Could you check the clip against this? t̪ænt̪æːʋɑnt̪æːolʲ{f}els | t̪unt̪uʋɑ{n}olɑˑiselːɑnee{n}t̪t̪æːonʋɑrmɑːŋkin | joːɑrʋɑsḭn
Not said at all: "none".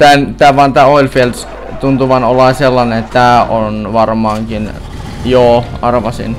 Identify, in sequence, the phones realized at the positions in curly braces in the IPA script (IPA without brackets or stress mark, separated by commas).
f, n, none